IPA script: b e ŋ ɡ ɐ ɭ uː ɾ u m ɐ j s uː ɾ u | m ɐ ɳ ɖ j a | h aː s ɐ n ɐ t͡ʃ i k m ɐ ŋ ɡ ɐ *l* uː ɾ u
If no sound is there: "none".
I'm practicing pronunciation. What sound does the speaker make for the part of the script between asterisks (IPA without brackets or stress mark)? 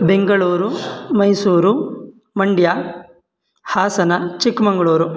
ɭ